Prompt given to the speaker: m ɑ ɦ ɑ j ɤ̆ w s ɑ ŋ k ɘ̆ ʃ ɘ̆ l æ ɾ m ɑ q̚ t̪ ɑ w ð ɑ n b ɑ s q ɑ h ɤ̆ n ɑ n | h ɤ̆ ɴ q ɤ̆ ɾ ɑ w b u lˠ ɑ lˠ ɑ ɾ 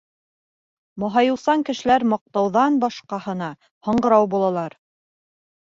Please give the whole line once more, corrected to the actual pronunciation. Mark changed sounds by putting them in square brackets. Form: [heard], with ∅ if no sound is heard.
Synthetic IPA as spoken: m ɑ ɦ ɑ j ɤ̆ w s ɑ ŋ k ɘ̆ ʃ ɘ̆ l æ ɾ m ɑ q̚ t̪ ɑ w ð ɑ n b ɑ [ʃ] q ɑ h ɤ̆ n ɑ [∅] | h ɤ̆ ɴ [ɢ] ɤ̆ ɾ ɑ w b u lˠ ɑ lˠ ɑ ɾ